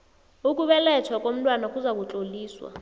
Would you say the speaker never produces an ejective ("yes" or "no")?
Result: no